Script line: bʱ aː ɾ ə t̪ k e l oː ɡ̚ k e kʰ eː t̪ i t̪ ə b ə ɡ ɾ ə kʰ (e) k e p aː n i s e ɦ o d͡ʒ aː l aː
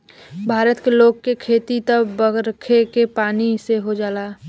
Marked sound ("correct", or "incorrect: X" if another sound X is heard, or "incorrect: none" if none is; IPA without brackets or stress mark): correct